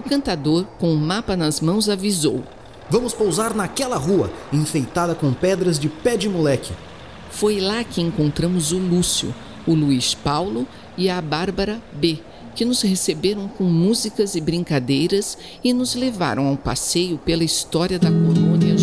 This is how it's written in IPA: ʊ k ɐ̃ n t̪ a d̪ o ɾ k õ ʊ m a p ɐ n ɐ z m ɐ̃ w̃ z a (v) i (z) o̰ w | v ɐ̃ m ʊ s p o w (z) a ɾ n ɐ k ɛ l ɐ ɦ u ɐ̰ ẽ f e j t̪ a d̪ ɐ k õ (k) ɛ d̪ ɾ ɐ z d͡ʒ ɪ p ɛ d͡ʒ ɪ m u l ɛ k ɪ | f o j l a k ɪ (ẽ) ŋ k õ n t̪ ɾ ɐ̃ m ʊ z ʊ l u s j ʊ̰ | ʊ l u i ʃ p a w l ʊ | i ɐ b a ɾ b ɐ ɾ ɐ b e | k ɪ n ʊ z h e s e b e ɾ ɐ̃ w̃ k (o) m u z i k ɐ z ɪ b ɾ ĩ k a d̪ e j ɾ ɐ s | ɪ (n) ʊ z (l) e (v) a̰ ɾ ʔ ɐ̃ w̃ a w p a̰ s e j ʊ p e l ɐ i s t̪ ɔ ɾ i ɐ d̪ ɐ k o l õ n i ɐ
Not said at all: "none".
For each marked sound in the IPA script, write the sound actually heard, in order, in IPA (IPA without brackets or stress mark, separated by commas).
v, z, z, p, ẽ, õ, n, l, v